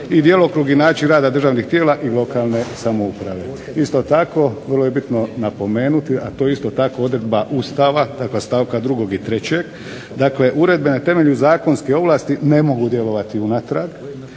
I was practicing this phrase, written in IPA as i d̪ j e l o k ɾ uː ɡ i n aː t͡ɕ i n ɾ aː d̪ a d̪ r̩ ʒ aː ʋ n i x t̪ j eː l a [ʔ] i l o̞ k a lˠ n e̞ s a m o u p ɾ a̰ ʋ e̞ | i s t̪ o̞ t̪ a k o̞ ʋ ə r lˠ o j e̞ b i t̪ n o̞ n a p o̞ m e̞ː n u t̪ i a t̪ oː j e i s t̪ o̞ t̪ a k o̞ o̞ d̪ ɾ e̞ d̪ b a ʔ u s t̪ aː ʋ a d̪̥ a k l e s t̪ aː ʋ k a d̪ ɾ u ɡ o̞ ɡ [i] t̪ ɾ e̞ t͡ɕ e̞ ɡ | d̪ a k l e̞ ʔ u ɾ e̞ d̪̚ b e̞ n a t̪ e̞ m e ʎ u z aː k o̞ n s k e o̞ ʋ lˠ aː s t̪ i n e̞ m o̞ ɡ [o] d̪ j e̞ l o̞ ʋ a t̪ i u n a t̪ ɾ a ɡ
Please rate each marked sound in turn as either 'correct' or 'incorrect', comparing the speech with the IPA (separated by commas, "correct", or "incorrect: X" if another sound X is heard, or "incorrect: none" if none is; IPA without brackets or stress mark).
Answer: correct, correct, incorrect: u